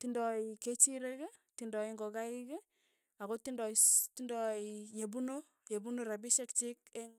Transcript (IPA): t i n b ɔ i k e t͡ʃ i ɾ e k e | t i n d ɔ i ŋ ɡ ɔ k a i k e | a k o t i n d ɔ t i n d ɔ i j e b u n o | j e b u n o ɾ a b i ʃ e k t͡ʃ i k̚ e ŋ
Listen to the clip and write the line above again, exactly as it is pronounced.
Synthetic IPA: t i n d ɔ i k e t͡ʃ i ɾ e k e | t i n d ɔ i ŋ ɡ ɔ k a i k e | a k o t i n d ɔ t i n d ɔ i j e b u n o | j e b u n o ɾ a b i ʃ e k t͡ʃ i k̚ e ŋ